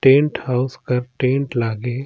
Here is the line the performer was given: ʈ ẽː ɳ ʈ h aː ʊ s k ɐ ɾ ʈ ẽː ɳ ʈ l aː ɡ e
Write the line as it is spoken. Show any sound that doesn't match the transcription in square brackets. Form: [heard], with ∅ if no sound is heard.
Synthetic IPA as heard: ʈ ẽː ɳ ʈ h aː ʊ s k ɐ ɾ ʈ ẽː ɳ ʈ l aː ɡ e